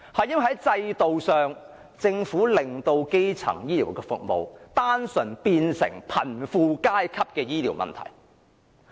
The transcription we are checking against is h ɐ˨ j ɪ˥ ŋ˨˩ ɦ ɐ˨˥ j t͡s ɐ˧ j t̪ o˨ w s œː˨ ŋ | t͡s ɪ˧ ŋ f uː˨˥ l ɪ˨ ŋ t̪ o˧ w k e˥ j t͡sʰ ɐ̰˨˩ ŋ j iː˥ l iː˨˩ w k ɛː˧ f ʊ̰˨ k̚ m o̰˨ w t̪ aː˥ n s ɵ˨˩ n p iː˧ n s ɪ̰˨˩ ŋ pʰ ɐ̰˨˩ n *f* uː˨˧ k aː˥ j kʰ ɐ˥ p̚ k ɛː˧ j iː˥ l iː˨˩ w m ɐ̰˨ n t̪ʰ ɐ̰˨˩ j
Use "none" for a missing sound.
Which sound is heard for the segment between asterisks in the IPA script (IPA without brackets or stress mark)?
f